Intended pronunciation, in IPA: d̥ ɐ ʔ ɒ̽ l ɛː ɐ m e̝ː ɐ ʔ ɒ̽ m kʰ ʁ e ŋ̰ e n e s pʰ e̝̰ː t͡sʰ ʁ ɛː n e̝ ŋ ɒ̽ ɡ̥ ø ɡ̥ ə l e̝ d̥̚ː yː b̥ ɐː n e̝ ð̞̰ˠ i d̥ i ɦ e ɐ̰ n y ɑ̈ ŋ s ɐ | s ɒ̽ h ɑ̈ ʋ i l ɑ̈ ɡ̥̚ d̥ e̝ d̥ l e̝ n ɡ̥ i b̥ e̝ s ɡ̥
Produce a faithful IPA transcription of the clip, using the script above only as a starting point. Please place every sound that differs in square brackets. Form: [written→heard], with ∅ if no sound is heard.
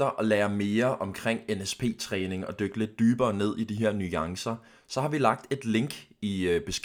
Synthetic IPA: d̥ ɐ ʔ ɒ̽ l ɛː ɐ m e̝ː ɐ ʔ ɒ̽ m kʰ ʁ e ŋ̰ e n e s pʰ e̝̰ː t͡sʰ ʁ ɛː n e̝ ŋ ɒ̽ [ɡ̥→d̥] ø ɡ̥ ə l e̝ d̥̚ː yː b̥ ɐː n e̝ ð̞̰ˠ i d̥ i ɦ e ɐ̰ n y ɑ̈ ŋ s ɐ | s ɒ̽ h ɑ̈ ʋ i l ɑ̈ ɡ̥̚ d̥ e̝ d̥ l e̝ [n→ŋ] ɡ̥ i b̥ e̝ s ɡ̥